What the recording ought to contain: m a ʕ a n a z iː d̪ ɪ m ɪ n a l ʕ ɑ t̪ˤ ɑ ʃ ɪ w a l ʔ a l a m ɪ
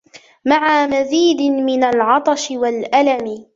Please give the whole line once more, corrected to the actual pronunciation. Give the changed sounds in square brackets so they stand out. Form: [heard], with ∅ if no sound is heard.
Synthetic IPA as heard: m a ʕ a [m] a z iː d̪ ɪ m ɪ n a l ʕ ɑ t̪ˤ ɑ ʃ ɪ w a l ʔ a l a m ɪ